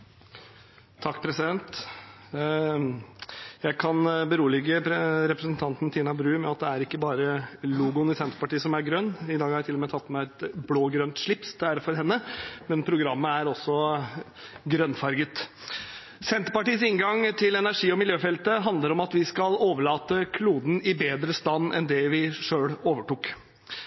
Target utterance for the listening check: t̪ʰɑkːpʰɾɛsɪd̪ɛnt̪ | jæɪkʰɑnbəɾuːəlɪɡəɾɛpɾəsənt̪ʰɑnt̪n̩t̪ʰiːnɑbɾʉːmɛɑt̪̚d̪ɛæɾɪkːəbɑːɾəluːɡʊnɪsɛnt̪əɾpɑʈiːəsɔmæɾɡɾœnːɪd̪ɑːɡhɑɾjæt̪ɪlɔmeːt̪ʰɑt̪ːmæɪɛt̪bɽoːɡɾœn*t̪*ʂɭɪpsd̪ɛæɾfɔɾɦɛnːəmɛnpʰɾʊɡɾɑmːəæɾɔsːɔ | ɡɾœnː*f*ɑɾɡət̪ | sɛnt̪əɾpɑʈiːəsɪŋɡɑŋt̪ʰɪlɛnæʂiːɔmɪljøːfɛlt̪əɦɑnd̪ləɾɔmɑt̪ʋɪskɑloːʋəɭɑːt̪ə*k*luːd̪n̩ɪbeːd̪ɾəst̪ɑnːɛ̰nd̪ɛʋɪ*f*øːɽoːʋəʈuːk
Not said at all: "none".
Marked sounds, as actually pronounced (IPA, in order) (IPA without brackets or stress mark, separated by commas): t̪, f, kʰ, ʂ